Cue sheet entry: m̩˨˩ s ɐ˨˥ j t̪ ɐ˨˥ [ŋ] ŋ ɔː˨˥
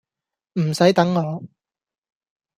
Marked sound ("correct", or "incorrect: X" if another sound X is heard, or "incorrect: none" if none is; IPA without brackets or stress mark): correct